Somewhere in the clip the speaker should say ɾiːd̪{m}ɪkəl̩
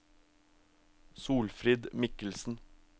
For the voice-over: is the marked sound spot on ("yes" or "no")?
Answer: yes